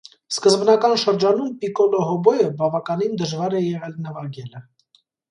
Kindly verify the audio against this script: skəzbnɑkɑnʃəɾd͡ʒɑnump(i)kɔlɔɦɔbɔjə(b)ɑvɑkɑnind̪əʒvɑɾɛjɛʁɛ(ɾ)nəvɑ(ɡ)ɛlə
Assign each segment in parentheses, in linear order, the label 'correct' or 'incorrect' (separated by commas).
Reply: correct, correct, incorrect, correct